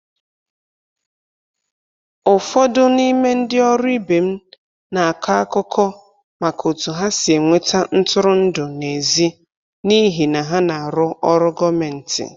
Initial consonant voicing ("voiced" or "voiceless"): voiceless